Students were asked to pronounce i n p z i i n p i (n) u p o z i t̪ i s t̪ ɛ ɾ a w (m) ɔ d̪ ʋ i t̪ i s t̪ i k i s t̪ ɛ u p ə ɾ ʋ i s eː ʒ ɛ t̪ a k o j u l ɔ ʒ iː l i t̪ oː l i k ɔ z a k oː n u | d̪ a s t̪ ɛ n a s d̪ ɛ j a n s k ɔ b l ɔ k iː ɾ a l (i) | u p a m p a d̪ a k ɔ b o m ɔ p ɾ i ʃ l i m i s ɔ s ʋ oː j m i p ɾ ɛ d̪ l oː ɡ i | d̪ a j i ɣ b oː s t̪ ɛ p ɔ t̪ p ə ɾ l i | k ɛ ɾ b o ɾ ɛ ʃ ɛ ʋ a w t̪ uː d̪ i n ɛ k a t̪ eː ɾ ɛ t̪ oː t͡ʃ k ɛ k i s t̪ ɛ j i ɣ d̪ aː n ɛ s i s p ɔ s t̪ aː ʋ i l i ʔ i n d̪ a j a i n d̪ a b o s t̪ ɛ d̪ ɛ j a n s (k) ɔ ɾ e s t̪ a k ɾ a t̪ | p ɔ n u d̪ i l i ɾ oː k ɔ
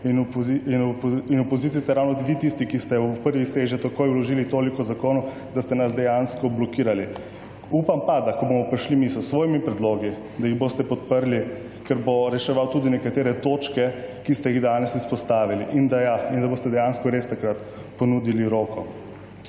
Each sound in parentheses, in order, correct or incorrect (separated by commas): correct, incorrect, correct, correct